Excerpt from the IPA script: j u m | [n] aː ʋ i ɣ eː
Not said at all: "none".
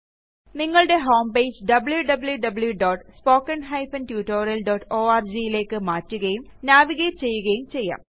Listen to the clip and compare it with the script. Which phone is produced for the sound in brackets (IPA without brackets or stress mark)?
n